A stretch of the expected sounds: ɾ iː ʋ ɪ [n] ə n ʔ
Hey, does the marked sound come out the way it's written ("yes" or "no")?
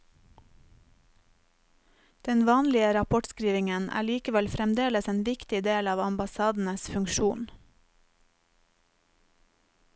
no